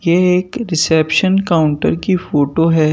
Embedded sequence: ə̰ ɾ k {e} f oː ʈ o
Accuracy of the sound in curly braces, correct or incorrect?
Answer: incorrect